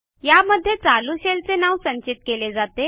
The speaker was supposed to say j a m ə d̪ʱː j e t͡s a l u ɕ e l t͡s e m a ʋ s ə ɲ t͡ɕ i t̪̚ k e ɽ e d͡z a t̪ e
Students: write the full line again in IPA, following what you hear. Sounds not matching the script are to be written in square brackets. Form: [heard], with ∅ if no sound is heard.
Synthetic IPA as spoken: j a m ə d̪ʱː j e t͡s a l u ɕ e l t͡s e [n] a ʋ s ə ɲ t͡ɕ i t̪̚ k e [l] e d͡z a t̪ e